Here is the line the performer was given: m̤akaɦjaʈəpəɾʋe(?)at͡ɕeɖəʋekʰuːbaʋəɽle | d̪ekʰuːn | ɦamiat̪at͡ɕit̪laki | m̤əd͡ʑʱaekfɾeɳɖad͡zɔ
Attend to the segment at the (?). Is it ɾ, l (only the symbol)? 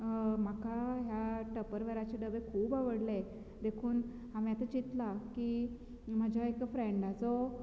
ɾ